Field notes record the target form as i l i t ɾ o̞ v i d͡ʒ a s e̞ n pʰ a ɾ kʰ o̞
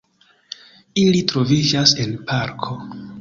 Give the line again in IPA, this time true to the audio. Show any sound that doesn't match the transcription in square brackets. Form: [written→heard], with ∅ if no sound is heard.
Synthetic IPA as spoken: i l i t ɾ o̞ v i d͡ʒ a s e̞ n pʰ a ɾ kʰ o̞

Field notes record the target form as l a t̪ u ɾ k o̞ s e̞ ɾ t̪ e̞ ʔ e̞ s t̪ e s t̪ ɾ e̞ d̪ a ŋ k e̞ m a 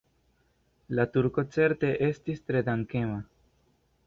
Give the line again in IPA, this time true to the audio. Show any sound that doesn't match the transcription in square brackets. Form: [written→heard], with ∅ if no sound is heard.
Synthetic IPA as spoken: l a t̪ u ɾ k o̞ [s→t͡s] e̞ ɾ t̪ e̞ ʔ e̞ s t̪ [e→i] s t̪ ɾ e̞ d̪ a ŋ k e̞ m a

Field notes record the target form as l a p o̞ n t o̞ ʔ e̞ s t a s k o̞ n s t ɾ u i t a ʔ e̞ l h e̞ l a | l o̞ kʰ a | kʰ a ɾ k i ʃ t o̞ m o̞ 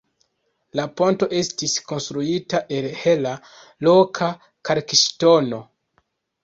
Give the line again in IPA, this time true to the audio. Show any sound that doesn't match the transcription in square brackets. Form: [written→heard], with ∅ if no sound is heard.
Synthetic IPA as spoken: l a p o̞ n t o̞ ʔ e̞ s t [a→i] s k o̞ n s t ɾ u i t a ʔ e̞ l h e̞ l a | l o̞ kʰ a | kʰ a ɾ k i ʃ t o̞ [m→n] o̞

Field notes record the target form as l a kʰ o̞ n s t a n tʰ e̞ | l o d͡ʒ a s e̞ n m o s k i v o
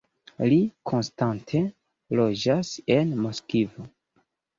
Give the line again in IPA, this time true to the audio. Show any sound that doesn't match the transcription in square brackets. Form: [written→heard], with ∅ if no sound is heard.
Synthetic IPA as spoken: l [a→i] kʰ o̞ n s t a n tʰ e̞ | l o d͡ʒ a s e̞ n m o s k i v o

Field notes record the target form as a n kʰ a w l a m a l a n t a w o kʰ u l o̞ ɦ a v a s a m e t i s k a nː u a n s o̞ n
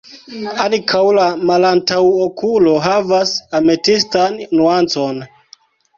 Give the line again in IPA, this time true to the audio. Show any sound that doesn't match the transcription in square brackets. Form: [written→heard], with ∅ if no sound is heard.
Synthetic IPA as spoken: a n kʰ a w l a m a l a n t a w o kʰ u l o̞ ɦ a v a s a m e t i s [k→t] a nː u a n [s→t͡s] o̞ n

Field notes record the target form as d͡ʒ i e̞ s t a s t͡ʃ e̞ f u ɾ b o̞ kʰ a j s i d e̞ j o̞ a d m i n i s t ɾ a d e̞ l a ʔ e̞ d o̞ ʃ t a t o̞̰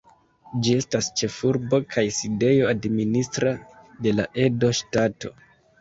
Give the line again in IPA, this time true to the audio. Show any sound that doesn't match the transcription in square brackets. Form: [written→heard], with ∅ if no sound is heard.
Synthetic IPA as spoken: d͡ʒ i e̞ s t a s t͡ʃ e̞ f u ɾ b o̞ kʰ a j s i d e̞ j o̞ a d m i n i s t ɾ a d e̞ l a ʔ e̞ d o̞ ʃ t a t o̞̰

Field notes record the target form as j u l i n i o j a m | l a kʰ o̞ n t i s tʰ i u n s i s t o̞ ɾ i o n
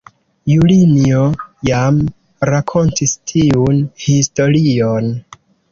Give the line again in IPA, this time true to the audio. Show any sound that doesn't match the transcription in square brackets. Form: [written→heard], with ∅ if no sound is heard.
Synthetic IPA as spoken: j u l i n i o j a m | [l→ɾ] a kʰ o̞ n t i s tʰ i u n [s→h] i s t o̞ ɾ i o n

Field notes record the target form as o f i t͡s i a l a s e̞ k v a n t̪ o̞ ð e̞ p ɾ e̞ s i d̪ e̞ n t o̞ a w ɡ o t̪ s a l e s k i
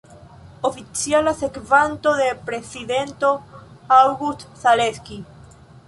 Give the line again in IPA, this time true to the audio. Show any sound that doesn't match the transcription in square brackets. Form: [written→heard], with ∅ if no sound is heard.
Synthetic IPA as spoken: o f i t͡s i a l a s e̞ k v a n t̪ o̞ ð e̞ p ɾ e̞ s i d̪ e̞ n t o̞ a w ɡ [o→u] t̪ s a l e s k i

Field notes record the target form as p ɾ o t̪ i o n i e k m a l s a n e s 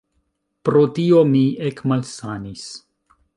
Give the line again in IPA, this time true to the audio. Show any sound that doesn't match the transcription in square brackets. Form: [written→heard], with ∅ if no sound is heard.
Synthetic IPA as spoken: p ɾ o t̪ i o [n→m] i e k m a l s a n [e→i] s

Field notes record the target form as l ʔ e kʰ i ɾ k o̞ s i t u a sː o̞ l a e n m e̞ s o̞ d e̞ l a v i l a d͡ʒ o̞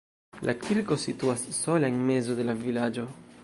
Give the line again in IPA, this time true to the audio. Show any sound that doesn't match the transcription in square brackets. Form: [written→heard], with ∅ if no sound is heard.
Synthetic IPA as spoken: l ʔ [e→a] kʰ i ɾ k o̞ s i t u a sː o̞ l a e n m e̞ [s→z] o̞ d e̞ l a v i l a d͡ʒ o̞

